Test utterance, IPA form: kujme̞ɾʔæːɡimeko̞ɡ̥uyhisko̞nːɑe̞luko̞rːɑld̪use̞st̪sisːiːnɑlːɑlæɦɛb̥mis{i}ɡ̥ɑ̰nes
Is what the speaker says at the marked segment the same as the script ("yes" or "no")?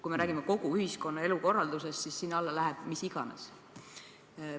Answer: yes